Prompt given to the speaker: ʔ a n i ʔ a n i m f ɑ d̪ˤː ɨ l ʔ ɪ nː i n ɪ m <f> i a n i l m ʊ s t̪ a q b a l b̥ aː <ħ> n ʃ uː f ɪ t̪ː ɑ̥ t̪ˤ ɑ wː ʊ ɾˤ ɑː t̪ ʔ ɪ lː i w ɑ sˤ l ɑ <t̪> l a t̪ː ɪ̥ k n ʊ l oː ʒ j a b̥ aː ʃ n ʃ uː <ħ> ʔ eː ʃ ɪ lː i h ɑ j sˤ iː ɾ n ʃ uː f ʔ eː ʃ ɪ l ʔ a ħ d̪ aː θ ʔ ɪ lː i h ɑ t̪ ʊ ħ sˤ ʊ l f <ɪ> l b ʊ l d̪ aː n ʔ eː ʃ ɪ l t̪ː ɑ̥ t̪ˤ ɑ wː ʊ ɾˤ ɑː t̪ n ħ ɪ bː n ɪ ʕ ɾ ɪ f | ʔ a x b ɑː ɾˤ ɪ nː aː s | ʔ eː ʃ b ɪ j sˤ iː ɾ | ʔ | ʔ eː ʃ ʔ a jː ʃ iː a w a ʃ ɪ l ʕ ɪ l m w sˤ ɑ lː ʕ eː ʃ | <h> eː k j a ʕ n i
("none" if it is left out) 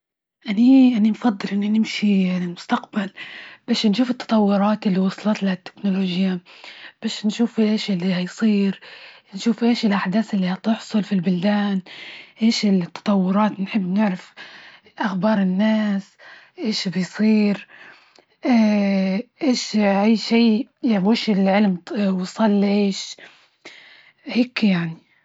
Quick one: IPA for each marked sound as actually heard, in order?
ʃ, ʃ, t̪, f, i, h

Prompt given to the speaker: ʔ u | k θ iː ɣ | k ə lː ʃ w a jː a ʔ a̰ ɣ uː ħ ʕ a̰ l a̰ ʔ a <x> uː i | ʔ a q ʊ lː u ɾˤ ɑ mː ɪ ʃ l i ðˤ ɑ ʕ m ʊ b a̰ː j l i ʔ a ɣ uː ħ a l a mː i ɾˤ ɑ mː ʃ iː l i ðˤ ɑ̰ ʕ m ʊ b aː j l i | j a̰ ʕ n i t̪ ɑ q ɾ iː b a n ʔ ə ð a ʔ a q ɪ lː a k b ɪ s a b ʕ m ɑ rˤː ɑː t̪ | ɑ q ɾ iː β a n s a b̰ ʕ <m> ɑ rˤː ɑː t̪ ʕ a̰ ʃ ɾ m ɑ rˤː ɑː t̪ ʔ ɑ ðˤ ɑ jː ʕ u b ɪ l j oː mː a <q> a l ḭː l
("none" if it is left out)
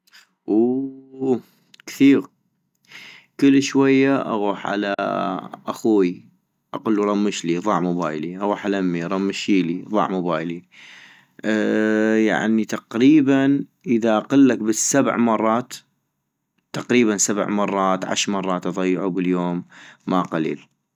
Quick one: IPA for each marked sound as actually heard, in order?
x, m, q

